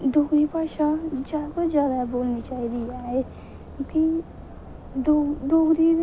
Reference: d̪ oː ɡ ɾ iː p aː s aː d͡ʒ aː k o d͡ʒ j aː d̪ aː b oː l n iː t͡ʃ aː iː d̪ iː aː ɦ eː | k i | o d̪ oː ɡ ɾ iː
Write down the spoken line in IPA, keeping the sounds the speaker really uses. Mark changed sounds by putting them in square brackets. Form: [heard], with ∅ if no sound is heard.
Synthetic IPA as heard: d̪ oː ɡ ɾ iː p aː [ʃ] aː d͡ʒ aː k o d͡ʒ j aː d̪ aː b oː l n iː t͡ʃ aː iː d̪ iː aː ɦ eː | k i | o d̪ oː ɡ ɾ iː